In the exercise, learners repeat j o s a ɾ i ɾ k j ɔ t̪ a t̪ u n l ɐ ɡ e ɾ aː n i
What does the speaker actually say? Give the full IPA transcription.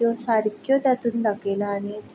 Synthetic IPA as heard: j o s a ɾ i k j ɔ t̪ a t̪ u n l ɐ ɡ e l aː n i